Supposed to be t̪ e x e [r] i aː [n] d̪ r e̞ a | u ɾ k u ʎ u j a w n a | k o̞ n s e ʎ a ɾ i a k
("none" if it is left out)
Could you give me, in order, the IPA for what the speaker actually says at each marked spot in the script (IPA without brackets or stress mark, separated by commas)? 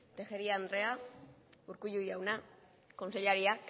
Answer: ɾ, n